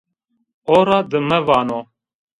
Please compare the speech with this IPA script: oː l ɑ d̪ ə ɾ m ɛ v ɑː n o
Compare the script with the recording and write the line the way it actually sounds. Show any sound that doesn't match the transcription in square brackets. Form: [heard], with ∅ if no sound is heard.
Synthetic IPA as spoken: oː [ɾ] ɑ d̪ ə [∅] m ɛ v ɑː n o